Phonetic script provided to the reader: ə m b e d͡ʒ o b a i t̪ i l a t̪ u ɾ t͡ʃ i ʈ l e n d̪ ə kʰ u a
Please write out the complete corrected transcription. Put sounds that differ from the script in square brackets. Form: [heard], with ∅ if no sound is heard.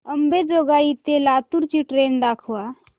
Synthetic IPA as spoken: ə m b e d͡ʒ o [ɡ] a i t̪ [e] l a t̪ u ɾ t͡ʃ i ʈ [ɾ] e n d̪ [a] kʰ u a